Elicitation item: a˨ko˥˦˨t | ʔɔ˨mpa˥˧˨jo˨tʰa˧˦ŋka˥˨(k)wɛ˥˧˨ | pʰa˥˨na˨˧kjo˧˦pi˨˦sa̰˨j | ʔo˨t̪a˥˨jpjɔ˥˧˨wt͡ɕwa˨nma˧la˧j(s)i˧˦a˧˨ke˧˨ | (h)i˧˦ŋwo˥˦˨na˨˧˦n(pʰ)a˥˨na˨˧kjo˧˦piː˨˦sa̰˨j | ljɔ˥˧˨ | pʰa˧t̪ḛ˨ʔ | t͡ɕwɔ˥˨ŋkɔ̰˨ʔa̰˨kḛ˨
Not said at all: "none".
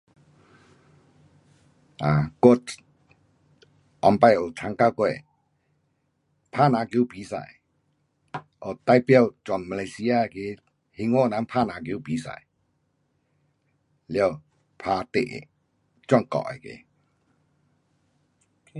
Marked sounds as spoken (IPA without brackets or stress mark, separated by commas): k, s, h, pʰ